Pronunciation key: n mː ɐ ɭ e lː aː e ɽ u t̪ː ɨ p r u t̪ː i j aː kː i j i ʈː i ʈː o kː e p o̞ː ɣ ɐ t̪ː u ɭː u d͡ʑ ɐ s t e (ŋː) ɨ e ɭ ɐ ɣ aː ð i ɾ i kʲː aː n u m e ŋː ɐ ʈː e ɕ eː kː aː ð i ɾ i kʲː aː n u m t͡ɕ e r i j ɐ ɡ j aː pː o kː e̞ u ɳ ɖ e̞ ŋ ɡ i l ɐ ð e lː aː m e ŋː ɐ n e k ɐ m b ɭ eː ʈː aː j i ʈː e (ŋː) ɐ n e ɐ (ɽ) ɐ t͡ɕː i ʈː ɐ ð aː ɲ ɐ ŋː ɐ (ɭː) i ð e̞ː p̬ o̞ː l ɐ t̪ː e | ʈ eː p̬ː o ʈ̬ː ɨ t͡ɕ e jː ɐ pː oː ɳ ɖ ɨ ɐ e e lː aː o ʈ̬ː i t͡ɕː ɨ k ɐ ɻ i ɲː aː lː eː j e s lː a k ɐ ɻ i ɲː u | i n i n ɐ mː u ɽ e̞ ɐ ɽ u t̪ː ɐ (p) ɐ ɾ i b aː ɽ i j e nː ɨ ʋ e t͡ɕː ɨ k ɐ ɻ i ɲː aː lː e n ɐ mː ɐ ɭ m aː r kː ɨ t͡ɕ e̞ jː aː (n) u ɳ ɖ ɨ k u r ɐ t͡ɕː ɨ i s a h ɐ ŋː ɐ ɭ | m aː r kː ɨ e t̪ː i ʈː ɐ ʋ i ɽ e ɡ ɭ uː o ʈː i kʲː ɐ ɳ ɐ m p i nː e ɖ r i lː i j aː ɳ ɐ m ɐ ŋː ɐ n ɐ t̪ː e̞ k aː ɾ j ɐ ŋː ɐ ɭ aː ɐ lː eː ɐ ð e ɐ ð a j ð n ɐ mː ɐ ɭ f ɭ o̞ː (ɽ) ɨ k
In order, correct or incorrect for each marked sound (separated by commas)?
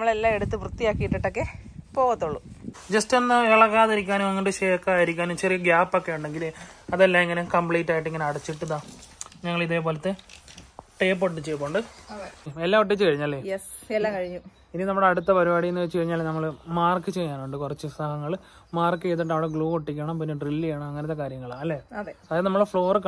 incorrect, correct, correct, incorrect, correct, correct, incorrect